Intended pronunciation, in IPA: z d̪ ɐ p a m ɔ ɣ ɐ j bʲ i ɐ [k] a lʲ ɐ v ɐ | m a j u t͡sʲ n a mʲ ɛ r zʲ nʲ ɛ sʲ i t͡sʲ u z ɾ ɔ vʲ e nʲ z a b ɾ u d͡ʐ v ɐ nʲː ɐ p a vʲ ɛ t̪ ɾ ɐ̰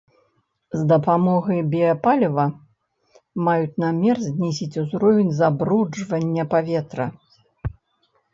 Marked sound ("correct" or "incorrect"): incorrect